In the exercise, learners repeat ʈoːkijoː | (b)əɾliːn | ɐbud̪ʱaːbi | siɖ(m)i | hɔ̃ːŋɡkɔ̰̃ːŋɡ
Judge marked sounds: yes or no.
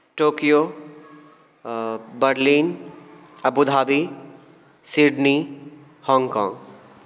yes, no

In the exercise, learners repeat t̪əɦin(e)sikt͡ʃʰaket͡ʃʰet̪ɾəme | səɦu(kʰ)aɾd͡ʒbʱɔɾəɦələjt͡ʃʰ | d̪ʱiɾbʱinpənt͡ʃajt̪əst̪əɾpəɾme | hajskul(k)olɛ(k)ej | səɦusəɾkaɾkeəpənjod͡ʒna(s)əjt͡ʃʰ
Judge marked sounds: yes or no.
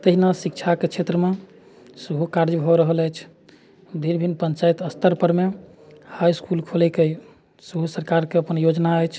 no, no, no, yes, no

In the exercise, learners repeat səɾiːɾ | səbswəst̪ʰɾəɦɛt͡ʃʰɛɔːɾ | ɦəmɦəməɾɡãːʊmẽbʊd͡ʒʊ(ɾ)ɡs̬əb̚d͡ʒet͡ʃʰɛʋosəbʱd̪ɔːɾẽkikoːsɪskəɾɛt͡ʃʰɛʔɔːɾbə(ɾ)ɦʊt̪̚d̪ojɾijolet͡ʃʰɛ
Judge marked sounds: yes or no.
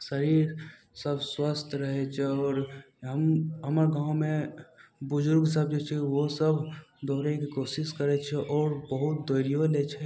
yes, no

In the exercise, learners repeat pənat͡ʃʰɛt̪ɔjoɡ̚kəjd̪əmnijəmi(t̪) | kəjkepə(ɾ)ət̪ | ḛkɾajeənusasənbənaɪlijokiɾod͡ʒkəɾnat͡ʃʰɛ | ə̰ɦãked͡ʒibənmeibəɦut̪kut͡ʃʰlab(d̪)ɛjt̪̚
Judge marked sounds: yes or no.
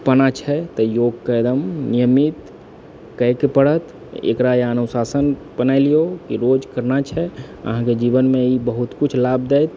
yes, no, yes

